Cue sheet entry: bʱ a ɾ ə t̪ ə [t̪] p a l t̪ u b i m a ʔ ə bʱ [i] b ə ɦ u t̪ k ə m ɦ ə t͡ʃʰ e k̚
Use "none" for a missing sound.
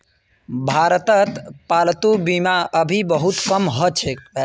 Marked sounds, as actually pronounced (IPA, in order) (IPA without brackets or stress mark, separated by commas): t̪, i